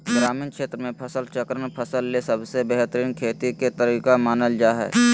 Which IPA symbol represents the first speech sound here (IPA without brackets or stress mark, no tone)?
ɡ